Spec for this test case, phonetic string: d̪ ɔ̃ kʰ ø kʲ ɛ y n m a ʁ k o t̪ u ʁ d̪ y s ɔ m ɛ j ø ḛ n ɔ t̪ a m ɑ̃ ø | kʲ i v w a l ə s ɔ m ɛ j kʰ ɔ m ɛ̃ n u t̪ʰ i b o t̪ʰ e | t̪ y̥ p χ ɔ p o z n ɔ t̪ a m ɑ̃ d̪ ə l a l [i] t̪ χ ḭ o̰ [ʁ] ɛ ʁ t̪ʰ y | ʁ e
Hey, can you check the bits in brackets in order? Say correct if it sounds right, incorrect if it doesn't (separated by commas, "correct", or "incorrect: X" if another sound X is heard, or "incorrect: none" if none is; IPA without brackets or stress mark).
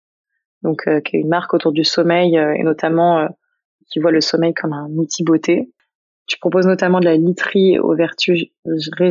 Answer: correct, incorrect: v